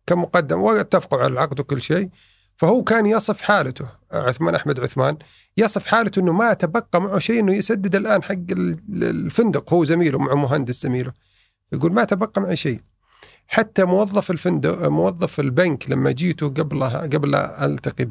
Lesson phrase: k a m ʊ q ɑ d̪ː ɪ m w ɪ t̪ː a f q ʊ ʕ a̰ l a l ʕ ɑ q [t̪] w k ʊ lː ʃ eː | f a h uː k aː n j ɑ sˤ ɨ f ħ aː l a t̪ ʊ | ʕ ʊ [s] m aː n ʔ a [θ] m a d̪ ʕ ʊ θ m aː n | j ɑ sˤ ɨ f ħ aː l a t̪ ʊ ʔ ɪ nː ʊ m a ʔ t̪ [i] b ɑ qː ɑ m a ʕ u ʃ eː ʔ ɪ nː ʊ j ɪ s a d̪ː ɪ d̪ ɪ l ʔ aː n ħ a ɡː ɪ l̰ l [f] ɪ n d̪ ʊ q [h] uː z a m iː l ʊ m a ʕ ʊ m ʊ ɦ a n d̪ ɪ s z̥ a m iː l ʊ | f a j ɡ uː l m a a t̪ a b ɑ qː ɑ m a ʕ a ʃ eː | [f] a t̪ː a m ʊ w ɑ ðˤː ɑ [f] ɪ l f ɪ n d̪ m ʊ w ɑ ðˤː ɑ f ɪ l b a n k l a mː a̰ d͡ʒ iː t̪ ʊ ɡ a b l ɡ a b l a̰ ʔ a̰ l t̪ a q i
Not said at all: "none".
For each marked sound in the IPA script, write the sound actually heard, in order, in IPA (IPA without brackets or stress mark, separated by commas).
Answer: d̪, θ, ħ, a, f, h, ħ, f